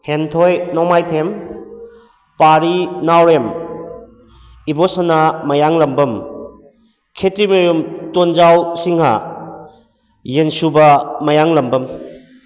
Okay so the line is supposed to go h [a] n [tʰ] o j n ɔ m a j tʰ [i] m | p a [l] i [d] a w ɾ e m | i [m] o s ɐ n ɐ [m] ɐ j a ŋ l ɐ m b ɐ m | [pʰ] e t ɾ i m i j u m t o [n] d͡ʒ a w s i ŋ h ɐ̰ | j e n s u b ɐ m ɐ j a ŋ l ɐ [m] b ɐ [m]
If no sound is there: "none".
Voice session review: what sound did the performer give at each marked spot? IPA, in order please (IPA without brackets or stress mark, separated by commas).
e, tʰ, e, ɾ, n, b, m, kʰ, n, m, m